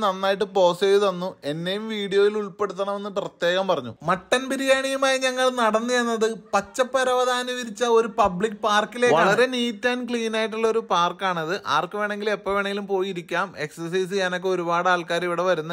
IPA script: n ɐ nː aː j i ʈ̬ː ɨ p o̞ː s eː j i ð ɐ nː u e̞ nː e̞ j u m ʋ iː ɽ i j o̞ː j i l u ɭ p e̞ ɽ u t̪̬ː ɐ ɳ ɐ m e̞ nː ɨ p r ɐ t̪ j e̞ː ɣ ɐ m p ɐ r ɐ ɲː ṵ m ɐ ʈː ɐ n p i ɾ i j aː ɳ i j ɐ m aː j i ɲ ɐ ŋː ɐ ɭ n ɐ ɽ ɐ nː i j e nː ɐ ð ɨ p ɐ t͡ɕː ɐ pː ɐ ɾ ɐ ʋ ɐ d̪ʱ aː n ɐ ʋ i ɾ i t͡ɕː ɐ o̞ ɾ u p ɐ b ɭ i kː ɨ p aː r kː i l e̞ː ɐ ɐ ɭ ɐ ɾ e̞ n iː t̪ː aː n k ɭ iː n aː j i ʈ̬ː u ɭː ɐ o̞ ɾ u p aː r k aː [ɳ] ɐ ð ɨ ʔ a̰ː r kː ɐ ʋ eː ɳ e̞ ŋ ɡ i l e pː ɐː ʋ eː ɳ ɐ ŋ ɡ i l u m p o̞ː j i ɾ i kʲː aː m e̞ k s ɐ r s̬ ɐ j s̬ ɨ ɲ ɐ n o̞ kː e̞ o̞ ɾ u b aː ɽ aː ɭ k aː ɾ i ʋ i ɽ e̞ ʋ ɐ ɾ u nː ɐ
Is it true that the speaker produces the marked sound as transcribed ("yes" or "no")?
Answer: yes